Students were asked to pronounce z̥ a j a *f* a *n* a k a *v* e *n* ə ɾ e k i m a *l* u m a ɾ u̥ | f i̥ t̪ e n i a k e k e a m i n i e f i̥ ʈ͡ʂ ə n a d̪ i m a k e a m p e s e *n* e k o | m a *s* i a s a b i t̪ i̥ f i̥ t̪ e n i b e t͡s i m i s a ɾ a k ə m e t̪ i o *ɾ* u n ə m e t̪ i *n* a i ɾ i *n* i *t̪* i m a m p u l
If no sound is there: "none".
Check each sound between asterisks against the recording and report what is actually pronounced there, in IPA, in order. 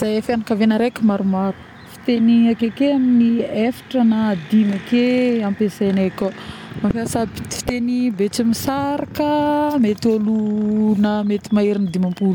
f, n, v, n, ɾ, n, f, l, m, n, d̪

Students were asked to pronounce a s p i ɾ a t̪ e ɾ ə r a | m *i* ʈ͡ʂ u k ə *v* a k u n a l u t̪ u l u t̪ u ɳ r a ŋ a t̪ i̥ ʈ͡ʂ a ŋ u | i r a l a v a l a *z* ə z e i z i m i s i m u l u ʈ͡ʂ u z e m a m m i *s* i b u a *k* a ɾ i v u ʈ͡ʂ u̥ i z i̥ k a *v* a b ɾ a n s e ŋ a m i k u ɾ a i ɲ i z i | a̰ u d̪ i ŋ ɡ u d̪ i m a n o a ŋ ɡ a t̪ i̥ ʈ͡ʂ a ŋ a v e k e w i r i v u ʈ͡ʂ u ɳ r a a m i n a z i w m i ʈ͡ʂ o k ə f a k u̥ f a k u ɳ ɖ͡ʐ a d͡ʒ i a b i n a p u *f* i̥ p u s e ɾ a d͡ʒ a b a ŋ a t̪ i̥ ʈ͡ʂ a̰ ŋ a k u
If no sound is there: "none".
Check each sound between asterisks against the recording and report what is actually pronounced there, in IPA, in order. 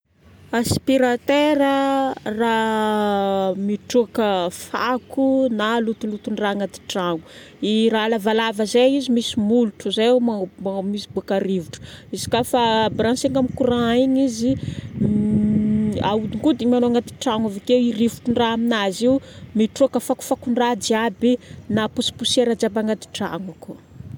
i, f, v, s, k, f, s

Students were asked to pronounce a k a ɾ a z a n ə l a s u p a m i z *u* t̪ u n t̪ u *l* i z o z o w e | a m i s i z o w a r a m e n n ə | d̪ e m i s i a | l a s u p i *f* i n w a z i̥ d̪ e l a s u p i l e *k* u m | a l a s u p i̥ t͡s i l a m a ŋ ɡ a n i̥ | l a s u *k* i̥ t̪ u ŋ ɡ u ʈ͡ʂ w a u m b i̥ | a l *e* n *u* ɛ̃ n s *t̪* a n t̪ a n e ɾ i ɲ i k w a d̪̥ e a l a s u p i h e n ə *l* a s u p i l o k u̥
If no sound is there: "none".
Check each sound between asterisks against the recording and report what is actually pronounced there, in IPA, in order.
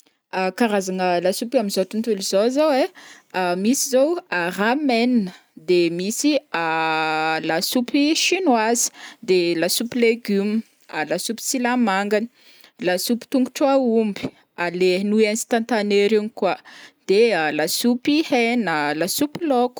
o, l, ʃ, ɡ, p, e, u, t̪, l

